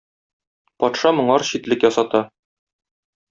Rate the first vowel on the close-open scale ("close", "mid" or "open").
open